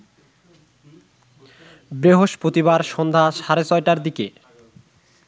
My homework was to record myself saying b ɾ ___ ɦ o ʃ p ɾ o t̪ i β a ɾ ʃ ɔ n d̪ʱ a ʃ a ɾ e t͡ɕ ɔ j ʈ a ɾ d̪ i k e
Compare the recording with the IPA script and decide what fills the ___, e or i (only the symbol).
e